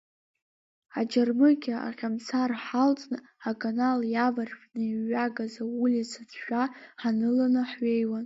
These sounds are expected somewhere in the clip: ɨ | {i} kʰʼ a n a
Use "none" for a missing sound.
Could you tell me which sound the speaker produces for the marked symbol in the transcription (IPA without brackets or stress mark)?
a